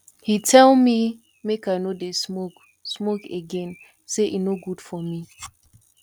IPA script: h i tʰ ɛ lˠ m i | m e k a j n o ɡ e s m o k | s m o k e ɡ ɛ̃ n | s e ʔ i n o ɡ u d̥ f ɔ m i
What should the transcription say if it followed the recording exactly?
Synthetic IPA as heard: h i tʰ ɛ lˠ m i | m e k a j n o d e s m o k | s m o k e ɡ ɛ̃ n | s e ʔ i n o ɡ u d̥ f ɔ m i